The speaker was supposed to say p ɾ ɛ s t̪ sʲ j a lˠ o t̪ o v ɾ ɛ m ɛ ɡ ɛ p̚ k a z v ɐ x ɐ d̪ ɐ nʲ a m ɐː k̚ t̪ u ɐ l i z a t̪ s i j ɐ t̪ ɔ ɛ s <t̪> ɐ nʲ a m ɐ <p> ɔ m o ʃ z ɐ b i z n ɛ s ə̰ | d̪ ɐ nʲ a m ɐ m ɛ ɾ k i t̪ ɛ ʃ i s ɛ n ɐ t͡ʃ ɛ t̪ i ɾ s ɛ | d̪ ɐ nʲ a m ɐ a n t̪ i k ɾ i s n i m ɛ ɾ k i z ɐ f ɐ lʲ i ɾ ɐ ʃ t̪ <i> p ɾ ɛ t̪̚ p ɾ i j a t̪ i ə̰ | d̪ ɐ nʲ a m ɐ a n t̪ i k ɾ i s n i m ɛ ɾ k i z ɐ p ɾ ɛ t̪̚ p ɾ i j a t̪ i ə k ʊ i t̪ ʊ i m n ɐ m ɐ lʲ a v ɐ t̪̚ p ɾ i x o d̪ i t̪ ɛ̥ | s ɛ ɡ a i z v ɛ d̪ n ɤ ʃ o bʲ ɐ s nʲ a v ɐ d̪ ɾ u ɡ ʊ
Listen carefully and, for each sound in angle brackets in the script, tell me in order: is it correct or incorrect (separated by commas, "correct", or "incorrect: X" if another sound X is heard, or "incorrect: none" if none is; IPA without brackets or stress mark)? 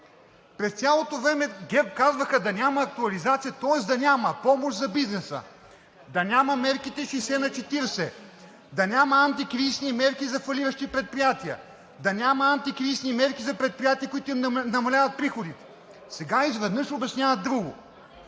incorrect: d̪, correct, correct